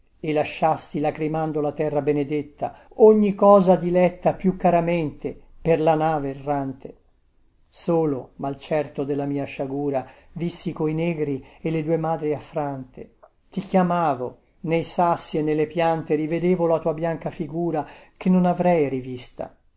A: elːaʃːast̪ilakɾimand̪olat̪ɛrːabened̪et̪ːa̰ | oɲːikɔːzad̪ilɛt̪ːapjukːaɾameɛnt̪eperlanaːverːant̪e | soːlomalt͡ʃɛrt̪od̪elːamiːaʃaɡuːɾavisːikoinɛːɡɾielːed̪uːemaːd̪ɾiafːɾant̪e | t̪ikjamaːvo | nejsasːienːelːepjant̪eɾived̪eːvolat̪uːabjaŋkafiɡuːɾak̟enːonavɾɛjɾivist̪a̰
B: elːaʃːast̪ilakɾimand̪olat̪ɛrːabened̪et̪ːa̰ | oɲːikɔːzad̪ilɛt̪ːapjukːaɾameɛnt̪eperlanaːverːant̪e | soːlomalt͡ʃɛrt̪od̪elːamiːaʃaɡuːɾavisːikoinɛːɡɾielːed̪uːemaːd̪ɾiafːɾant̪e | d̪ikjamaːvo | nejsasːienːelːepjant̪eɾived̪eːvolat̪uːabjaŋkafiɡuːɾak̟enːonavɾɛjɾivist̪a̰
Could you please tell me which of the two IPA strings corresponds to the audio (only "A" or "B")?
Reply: A